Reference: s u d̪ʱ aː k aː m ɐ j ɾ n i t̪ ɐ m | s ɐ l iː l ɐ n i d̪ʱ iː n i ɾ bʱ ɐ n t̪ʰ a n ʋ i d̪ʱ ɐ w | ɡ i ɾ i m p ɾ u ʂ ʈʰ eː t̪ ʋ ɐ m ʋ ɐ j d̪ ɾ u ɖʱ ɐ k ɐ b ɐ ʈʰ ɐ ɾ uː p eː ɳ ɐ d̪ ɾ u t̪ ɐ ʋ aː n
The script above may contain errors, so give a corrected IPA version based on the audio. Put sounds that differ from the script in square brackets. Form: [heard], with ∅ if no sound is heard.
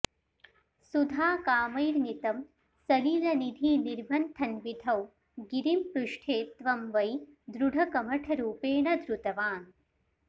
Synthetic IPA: s u d̪ʱ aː k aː m ɐ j ɾ n i t̪ ɐ m | s ɐ l iː l ɐ n i d̪ʱ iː n i ɾ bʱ ɐ n t̪ʰ [ɐ] n ʋ i d̪ʱ ɐ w | ɡ i ɾ i m p ɾ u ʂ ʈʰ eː t̪ ʋ ɐ m ʋ ɐ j d̪ ɾ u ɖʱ ɐ k ɐ [m] ɐ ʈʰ ɐ ɾ uː p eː ɳ ɐ d̪ ɾ u t̪ ɐ ʋ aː n